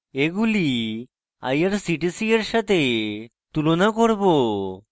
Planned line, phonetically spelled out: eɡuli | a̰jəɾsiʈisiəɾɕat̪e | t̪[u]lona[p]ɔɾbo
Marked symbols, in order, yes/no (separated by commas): yes, no